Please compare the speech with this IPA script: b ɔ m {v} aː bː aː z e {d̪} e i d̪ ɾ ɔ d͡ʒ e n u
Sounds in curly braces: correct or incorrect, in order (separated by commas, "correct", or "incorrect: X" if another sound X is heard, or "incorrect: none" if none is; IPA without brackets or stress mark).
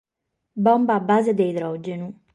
incorrect: b, correct